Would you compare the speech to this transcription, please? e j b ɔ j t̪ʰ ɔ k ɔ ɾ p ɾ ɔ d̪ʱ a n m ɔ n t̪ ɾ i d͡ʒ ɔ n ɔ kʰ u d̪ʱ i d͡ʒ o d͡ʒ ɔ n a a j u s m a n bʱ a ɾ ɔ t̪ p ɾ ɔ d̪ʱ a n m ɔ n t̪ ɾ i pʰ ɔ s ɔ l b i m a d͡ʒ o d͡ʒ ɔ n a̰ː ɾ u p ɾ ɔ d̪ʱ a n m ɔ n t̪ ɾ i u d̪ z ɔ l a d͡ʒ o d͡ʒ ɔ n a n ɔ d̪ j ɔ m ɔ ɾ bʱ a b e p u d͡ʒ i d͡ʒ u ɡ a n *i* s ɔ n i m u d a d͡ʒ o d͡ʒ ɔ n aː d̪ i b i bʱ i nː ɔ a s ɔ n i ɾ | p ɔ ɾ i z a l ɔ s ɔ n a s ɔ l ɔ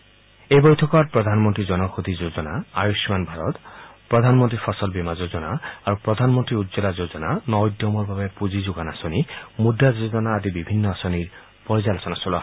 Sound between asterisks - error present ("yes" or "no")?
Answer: yes